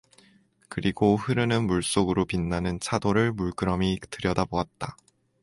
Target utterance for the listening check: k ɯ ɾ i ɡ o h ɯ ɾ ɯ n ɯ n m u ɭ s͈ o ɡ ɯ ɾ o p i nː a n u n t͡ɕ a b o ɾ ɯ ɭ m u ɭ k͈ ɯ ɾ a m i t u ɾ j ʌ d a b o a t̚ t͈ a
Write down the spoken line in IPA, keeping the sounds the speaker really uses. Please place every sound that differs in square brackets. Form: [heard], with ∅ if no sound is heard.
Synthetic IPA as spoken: k ɯ ɾ i ɡ o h ɯ ɾ ɯ n ɯ n m u ɭ s͈ o ɡ ɯ ɾ o p i nː a n [ɯ] n [t͡ɕʰ] a [d] o ɾ ɯ ɭ m u ɭ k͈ ɯ ɾ [ʌ] m i t [ɯ] ɾ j ʌ d a b o a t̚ t͈ a